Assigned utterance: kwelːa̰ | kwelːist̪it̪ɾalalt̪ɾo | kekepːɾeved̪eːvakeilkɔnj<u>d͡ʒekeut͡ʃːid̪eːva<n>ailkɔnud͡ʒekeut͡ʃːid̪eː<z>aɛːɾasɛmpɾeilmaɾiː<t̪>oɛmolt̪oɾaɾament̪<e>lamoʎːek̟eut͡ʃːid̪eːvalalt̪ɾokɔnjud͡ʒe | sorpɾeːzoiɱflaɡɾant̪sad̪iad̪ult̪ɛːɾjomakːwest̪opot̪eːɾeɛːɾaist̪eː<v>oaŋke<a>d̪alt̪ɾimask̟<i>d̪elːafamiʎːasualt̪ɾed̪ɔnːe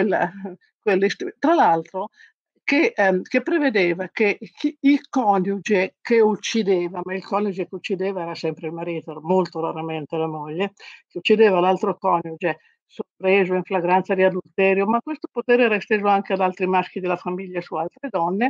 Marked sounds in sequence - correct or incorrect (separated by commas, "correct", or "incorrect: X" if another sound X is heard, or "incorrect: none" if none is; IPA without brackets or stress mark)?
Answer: correct, incorrect: m, incorrect: v, correct, correct, incorrect: z, correct, correct